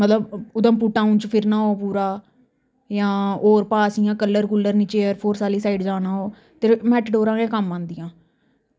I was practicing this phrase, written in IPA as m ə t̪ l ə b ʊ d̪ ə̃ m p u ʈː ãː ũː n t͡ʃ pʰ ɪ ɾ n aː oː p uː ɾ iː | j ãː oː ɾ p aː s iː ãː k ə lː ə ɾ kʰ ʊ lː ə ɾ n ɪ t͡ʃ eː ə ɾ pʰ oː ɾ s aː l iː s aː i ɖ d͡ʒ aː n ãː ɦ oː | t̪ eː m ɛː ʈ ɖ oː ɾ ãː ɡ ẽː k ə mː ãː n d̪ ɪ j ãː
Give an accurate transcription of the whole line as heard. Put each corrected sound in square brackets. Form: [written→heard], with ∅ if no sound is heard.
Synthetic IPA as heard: m ə t̪ l ə b ʊ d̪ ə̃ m p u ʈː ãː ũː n t͡ʃ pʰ ɪ ɾ n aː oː p uː ɾ [iː→aː] | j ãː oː ɾ p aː s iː ãː k ə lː ə ɾ [kʰ→k] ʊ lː ə ɾ n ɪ t͡ʃ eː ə ɾ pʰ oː ɾ s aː l iː s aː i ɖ d͡ʒ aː n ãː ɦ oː | t̪ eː m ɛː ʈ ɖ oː ɾ ãː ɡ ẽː k ə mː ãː n d̪ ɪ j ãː